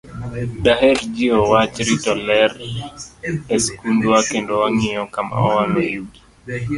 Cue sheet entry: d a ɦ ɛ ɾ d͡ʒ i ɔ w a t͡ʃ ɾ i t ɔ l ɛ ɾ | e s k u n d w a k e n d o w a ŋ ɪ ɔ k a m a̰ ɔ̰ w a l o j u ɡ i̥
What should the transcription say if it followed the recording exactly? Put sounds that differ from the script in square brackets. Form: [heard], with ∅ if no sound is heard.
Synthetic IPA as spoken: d a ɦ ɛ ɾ d͡ʒ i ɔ w a t͡ʃ ɾ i t ɔ l ɛ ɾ | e s k u n d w a k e n d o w a ŋ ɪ ɔ k a m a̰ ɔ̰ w a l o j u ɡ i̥